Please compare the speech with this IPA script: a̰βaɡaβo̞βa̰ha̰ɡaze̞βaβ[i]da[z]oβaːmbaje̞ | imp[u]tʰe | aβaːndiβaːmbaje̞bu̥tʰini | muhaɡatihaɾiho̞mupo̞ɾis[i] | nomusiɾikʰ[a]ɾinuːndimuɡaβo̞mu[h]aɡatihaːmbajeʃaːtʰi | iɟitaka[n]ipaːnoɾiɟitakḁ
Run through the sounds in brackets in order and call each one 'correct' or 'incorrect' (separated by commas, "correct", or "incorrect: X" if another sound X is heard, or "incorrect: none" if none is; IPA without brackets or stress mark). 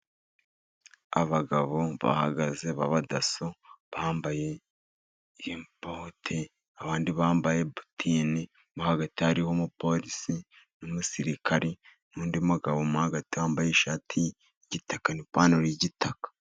incorrect: a, incorrect: s, incorrect: o, correct, correct, correct, correct